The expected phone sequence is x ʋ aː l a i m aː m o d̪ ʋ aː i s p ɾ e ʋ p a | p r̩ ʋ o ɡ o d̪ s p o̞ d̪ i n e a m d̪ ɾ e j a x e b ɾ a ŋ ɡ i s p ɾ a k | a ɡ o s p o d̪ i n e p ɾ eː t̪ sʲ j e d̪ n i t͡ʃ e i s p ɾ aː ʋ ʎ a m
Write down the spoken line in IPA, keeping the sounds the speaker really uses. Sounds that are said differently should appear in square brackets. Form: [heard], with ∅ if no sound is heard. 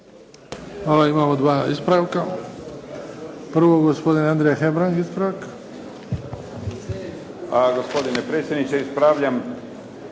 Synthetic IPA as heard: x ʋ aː l a i m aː m o d̪ ʋ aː i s p ɾ [a] ʋ [k] a | p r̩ ʋ o ɡ o [∅] s p o̞ d̪ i n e a [n] d̪ ɾ e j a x e b ɾ a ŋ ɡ i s p ɾ a k | a ɡ o s p o d̪ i n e p ɾ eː t̪ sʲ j e d̪ n i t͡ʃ e i s p ɾ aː ʋ ʎ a m